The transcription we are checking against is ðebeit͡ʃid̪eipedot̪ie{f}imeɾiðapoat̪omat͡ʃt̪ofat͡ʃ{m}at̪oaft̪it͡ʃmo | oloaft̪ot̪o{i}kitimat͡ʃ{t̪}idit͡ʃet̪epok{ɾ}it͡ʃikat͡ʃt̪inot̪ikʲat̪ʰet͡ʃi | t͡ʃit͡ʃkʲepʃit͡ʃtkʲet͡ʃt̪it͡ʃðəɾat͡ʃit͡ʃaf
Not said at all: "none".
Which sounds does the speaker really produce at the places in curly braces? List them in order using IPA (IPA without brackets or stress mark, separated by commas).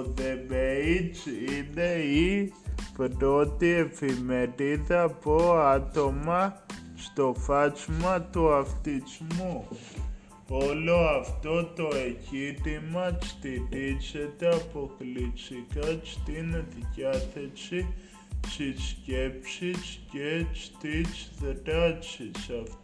f, m, e, t̪, l